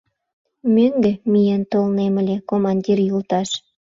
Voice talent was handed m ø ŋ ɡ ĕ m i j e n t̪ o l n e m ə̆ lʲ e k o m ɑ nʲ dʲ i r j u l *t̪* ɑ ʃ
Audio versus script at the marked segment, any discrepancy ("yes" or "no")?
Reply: no